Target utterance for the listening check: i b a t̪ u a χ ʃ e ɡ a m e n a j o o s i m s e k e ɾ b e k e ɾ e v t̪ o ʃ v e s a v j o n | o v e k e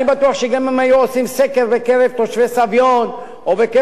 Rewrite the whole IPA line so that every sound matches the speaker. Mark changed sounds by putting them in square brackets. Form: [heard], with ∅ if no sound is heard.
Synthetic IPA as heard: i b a t̪ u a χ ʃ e ɡ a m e [m] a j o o s i m s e k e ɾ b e k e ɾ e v t̪ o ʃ v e s a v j o n | o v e k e